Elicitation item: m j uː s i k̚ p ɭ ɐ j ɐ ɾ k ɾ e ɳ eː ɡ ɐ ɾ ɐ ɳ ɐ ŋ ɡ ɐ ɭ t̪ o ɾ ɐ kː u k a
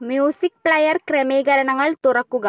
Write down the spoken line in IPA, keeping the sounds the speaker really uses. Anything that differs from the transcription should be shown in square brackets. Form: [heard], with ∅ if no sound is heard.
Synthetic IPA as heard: m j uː s i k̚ p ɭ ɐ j ɐ ɾ k ɾ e [m] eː ɡ ɐ ɾ ɐ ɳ ɐ ŋ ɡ ɐ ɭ t̪ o ɾ ɐ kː u [ɡ] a